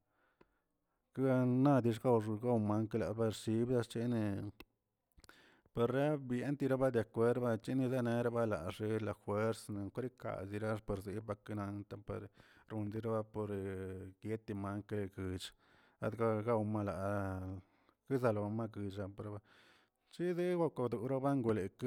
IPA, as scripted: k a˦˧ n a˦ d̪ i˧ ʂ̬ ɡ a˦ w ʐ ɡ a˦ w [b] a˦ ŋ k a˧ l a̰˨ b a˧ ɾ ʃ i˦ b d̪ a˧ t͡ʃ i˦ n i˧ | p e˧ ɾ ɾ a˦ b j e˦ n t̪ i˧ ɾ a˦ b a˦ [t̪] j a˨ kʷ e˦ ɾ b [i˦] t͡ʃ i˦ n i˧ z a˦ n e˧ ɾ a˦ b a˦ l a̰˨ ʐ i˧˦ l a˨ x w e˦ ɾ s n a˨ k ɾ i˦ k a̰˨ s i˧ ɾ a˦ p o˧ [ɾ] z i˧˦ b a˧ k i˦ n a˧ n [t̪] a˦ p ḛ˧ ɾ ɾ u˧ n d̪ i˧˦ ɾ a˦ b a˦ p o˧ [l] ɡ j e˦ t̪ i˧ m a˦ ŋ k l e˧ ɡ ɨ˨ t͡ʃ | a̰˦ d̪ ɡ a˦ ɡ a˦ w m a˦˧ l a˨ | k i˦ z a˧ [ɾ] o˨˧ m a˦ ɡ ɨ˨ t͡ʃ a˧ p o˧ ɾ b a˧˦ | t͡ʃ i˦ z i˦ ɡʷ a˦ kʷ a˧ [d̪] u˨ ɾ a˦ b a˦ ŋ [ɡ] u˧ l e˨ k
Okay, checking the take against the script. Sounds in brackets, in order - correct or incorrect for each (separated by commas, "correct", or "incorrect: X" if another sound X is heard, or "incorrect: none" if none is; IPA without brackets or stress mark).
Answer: incorrect: m, incorrect: d̪, incorrect: a˦, correct, correct, incorrect: ɾ, incorrect: l, correct, correct